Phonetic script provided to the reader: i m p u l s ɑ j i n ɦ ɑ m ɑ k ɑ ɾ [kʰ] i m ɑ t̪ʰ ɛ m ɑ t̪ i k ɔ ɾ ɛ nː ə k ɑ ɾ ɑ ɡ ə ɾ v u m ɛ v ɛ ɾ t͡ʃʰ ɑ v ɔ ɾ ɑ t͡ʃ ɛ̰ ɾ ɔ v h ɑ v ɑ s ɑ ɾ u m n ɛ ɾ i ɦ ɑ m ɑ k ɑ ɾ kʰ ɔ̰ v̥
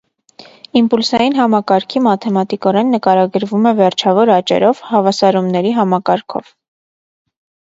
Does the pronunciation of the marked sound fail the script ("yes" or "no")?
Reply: no